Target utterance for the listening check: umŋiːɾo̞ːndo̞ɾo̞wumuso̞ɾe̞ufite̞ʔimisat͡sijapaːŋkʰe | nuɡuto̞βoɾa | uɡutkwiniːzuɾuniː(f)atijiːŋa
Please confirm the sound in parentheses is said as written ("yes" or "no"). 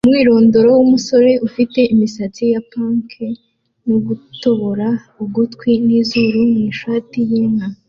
no